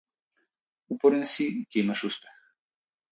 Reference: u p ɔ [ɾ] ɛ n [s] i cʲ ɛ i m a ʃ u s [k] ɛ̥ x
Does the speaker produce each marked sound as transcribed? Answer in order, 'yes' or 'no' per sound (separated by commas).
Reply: yes, yes, no